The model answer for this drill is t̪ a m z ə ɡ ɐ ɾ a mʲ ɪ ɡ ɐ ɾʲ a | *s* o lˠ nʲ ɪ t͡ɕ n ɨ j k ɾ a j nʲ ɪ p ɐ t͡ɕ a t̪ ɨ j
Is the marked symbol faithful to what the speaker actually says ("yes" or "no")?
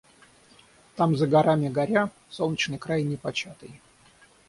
yes